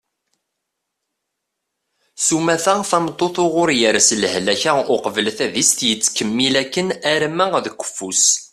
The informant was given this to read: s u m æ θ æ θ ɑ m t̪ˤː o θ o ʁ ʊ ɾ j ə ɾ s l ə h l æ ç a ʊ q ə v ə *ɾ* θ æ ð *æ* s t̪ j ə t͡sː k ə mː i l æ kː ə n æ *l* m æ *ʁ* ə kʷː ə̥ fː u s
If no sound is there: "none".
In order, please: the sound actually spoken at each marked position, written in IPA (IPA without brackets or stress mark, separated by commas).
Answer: l, i, ɾ, ð